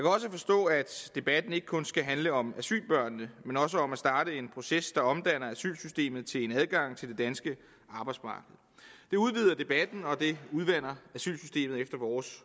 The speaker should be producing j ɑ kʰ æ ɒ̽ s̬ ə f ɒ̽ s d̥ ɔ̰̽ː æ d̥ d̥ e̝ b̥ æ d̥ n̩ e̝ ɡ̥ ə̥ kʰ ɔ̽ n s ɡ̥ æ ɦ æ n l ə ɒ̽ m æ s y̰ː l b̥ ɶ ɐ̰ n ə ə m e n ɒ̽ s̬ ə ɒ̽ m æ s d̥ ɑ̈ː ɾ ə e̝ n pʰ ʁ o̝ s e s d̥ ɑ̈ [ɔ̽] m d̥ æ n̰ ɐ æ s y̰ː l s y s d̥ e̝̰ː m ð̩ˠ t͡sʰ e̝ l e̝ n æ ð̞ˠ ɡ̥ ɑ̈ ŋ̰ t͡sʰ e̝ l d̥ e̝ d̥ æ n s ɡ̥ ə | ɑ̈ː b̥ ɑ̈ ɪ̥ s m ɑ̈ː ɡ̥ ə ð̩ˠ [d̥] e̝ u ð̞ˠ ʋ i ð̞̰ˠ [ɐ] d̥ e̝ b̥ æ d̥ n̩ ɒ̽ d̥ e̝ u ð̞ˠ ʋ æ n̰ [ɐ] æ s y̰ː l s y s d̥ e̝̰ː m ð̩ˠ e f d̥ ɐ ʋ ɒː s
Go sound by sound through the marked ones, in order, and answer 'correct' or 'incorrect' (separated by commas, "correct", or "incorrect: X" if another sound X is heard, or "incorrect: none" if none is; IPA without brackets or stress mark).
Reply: incorrect: ɒ̽, correct, correct, correct